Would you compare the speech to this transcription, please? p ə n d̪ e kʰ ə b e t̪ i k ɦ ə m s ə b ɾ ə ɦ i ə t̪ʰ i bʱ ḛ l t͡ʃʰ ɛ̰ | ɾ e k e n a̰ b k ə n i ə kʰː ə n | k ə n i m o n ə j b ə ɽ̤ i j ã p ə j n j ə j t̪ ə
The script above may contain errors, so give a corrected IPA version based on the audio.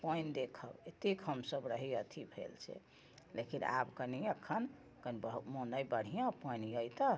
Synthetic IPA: p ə n d̪ e kʰ ə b e t̪ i k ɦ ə m s ə b ɾ ə ɦ i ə t̪ʰ i bʱ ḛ l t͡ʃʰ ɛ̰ | l e k i n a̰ b k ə n i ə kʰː ə n | k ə n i m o n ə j b ə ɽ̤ i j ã p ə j n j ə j t̪ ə